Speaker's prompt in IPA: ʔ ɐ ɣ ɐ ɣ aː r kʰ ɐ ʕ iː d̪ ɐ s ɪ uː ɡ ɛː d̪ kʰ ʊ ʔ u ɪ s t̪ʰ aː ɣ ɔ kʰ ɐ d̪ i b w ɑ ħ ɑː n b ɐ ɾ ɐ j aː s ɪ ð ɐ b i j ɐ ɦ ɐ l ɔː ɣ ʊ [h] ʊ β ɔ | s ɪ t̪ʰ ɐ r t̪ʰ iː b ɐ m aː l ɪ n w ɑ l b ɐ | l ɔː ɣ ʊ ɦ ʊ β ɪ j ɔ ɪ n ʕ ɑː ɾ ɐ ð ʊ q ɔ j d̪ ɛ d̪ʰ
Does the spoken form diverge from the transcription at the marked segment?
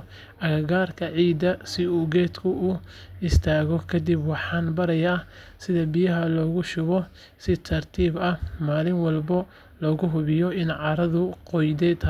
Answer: yes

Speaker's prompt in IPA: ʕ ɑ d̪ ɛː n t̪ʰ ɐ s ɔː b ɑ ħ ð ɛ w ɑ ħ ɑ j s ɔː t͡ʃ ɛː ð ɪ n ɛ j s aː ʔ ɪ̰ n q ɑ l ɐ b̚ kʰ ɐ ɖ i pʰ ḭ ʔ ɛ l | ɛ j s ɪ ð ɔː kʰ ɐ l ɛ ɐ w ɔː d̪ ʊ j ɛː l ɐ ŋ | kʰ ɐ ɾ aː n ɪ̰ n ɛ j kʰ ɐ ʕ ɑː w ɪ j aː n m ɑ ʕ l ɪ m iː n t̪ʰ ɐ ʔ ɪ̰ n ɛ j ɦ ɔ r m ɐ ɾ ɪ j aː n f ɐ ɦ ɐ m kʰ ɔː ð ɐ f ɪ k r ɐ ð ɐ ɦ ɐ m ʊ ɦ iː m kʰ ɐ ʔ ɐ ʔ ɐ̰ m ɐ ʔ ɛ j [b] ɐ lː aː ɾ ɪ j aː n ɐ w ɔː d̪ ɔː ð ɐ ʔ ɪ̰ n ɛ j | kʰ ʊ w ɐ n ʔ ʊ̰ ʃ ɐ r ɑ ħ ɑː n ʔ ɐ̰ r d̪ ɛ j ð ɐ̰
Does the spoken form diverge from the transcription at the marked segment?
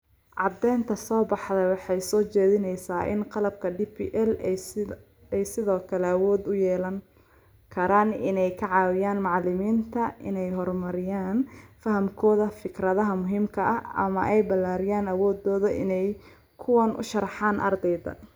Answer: no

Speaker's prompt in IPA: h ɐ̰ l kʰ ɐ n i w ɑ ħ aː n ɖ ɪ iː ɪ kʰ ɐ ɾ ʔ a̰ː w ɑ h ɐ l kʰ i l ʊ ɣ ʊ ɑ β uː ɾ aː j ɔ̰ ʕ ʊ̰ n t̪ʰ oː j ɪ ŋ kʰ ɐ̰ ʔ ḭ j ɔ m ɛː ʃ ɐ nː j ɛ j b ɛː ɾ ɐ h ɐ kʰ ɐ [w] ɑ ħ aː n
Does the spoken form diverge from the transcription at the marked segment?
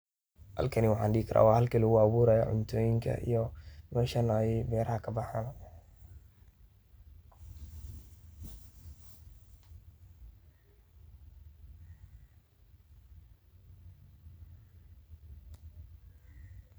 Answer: yes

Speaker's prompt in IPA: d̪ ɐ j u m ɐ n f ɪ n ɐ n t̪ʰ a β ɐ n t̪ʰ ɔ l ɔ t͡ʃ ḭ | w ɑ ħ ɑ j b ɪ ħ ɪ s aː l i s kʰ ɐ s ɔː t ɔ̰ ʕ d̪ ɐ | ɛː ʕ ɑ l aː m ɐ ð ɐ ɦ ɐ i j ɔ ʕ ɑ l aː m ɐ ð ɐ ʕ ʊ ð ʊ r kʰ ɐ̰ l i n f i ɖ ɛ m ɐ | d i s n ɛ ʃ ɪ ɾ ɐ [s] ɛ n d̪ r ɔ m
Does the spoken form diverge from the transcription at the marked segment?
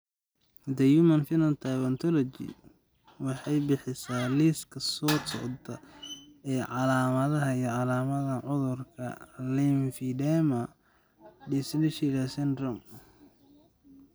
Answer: no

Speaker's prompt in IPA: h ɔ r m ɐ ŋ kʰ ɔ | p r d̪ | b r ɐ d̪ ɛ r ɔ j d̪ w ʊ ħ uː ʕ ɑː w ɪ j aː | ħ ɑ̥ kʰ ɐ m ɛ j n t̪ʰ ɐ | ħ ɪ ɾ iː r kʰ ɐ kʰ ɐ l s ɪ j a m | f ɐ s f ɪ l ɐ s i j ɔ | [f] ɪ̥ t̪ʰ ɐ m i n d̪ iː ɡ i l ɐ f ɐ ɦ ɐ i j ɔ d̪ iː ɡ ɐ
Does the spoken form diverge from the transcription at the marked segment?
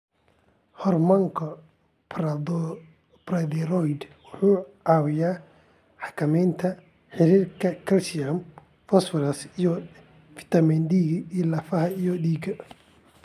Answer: no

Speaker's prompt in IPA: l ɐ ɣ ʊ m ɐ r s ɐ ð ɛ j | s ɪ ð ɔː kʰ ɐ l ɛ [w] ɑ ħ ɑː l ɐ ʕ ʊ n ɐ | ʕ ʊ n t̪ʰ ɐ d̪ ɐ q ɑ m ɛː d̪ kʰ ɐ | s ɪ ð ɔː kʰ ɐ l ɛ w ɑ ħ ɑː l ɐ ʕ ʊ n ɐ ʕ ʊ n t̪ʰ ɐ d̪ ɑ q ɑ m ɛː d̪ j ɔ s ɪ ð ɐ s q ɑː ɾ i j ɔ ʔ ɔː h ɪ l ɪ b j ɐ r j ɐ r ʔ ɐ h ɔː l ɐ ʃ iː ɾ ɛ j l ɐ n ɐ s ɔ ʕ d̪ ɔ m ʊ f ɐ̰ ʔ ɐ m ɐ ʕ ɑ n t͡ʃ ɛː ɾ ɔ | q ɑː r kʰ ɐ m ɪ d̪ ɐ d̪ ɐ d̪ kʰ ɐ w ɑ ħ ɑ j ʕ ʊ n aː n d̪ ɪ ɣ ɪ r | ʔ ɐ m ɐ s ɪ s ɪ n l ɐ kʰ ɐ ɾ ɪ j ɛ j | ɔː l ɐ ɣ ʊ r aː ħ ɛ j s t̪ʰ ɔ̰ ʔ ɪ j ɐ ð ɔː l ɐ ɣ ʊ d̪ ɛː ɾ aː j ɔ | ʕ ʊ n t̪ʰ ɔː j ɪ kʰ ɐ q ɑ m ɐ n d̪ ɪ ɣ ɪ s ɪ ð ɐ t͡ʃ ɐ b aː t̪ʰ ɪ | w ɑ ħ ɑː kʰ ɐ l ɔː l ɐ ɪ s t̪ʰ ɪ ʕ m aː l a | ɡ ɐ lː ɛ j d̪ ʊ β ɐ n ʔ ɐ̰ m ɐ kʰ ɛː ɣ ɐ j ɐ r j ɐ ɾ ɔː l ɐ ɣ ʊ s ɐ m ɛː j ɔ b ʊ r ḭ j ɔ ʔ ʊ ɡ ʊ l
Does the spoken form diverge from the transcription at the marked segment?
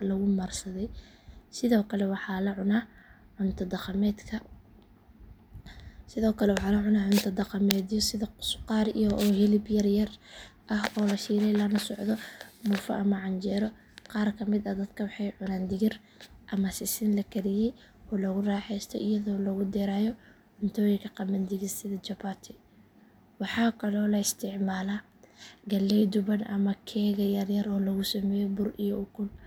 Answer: no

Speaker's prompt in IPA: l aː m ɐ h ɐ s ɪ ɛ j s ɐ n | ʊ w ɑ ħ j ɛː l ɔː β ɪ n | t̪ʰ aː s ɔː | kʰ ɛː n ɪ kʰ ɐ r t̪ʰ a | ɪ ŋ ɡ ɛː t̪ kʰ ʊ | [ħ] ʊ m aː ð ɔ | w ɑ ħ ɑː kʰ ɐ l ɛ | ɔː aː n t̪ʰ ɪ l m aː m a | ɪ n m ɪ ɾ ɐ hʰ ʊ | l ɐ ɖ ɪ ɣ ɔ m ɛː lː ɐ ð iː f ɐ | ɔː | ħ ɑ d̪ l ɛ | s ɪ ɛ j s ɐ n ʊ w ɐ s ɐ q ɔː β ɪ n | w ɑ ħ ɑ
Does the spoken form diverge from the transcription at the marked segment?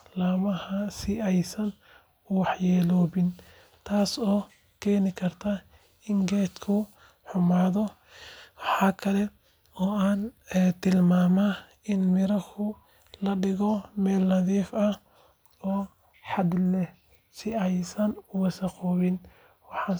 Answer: no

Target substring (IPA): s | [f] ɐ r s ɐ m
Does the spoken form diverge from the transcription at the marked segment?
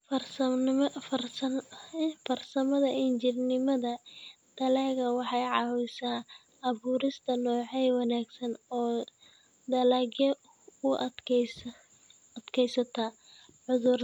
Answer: no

